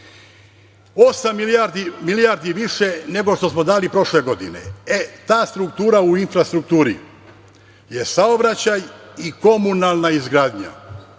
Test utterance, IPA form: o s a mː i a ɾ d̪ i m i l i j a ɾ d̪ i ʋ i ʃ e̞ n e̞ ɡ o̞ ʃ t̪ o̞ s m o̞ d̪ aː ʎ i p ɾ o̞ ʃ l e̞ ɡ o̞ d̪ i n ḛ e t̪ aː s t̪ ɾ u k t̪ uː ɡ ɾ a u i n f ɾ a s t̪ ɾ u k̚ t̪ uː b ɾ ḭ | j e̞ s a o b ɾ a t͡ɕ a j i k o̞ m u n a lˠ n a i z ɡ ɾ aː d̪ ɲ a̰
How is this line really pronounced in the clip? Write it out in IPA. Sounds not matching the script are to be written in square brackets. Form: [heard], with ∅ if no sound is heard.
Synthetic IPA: o s a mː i a ɾ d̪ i m i l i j a ɾ d̪ i ʋ i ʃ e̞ n e̞ ɡ o̞ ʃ t̪ o̞ s m o̞ d̪ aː [l] i p ɾ o̞ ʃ l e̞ ɡ o̞ d̪ i n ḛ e t̪ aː s t̪ ɾ u k t̪ uː [∅] ɾ a u i n f ɾ a s t̪ ɾ u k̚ t̪ uː [∅] ɾ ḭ | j e̞ s a o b ɾ a t͡ɕ a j i k o̞ m u n a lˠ n a i z ɡ ɾ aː d̪ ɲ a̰